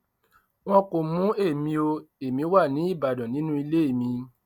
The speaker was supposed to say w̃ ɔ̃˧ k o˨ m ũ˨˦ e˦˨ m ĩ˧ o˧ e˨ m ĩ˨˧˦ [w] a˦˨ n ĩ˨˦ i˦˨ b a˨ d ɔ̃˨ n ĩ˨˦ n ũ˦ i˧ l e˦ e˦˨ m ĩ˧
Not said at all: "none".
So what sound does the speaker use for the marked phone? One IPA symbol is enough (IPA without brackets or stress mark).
w